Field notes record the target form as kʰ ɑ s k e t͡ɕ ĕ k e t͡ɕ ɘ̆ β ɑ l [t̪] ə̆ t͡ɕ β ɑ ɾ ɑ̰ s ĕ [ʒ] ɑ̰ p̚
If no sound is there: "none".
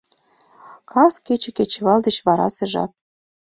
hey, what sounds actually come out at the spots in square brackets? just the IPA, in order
d̪, ʒ

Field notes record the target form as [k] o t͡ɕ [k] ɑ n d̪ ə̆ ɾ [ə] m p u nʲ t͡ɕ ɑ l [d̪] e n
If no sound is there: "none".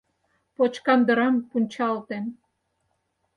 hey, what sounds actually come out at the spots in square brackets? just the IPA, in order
p, k, ɑ, t̪

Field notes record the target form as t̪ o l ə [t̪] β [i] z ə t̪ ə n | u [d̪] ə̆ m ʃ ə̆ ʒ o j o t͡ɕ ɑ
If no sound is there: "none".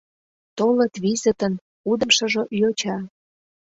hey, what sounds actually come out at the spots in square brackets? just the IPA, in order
t̪, i, d̪

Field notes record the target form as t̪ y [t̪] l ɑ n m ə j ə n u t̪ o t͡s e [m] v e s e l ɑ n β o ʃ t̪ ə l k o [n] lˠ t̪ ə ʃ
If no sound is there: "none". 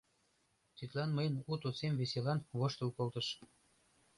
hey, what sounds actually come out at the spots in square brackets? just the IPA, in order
t̪, m, none

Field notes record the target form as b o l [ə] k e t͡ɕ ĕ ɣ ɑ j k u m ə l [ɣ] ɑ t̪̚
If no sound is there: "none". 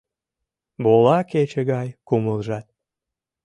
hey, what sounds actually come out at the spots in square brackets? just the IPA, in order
ɑ, ʒ

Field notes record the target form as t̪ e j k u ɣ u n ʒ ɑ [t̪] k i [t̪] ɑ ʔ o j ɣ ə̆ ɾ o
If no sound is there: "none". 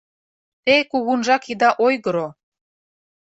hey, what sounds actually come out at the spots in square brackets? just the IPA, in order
none, d̪

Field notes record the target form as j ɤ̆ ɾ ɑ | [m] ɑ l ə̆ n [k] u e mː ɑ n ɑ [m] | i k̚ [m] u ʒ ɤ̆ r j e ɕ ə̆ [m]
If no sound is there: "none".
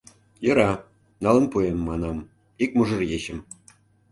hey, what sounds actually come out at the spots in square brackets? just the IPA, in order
n, p, m, m, m

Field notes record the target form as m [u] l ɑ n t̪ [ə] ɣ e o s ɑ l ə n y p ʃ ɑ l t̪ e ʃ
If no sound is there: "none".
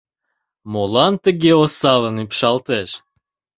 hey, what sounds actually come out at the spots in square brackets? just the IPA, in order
o, ə

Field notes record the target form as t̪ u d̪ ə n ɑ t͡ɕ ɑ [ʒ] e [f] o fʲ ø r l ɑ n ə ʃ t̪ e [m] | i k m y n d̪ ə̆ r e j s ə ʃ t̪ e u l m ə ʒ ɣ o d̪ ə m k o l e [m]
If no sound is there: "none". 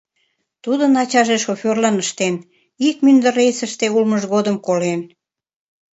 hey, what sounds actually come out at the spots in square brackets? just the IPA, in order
ʒ, ʃ, n, n

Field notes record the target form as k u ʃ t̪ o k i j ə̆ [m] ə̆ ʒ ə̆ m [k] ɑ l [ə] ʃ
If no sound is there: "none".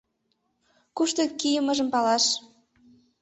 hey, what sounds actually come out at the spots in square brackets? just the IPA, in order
m, p, ɑ

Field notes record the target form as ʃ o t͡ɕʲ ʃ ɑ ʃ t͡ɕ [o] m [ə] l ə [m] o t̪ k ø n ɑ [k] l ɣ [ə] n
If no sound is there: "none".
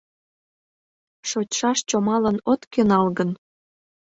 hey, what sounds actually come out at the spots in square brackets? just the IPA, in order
o, ɑ, n, none, ə

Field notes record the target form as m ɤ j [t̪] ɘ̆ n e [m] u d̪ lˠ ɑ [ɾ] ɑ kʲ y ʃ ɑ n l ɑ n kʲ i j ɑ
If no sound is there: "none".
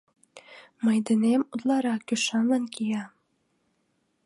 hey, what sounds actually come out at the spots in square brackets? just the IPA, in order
d̪, m, ɾ

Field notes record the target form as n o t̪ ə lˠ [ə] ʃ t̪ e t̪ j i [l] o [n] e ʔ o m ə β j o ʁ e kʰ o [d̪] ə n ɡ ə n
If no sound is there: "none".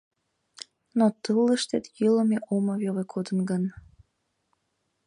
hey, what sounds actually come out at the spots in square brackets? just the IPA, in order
ə, l, m, d̪

